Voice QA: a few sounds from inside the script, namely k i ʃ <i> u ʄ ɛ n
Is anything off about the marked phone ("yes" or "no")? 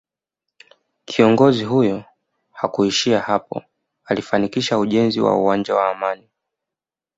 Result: yes